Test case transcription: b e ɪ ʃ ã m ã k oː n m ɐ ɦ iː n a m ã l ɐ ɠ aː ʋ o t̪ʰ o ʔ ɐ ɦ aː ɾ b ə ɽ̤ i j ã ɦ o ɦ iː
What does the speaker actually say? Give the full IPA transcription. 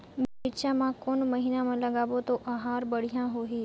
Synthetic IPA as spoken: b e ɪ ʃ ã m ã k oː n m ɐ ɦ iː n a m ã l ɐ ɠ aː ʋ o t̪ o ʔ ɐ ɦ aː ɾ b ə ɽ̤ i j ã ɦ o ɦ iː